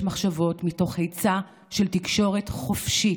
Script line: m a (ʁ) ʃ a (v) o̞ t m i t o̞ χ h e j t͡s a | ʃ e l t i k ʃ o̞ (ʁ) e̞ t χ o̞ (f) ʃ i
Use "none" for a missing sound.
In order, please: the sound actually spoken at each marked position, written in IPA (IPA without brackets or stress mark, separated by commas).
χ, v, ʁ, f